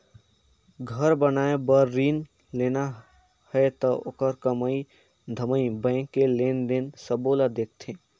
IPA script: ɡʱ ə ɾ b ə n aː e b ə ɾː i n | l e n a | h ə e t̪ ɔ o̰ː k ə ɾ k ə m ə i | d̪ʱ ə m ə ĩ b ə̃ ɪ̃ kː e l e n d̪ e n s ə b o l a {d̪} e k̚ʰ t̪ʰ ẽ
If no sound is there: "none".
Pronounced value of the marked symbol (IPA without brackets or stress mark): d̪